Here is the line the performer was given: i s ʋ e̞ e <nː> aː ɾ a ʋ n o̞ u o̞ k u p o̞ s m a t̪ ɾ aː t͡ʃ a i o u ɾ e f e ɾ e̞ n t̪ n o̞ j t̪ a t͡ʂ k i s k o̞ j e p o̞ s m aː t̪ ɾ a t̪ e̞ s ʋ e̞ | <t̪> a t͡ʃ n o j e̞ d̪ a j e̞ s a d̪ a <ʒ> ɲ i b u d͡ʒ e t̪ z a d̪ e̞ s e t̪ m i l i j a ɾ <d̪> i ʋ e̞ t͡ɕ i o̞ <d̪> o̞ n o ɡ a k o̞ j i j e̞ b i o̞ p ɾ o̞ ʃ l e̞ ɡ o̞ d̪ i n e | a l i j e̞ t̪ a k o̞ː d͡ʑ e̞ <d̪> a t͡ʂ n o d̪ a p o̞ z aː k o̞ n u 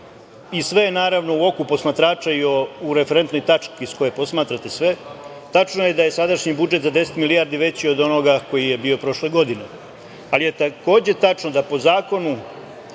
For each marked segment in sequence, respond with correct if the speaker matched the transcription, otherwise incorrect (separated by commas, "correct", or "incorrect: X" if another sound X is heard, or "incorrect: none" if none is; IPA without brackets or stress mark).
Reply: incorrect: n, correct, incorrect: ʃ, correct, correct, incorrect: t̪